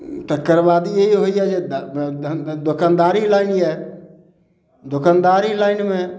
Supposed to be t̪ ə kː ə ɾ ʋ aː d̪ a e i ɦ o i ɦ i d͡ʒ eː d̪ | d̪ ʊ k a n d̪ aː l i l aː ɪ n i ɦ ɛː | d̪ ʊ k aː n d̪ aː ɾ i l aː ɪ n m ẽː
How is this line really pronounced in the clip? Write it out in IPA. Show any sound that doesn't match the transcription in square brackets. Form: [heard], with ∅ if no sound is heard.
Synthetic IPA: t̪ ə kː ə ɾ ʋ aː d̪ [i] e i ɦ o i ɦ [ɛ] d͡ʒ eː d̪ | d̪ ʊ k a n d̪ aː [ɾ] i l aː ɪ n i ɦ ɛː | d̪ ʊ k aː n d̪ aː ɾ i l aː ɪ n m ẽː